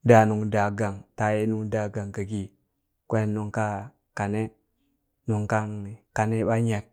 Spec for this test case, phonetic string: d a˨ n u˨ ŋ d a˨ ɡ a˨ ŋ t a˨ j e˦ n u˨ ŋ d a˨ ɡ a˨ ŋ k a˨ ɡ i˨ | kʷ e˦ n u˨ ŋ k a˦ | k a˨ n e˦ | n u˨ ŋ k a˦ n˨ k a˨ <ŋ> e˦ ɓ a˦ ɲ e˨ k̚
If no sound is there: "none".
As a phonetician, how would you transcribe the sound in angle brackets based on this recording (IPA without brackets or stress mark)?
n